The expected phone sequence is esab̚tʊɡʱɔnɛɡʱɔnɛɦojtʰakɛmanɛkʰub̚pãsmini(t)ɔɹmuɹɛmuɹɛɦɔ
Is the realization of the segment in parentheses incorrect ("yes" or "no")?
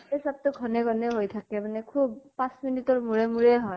no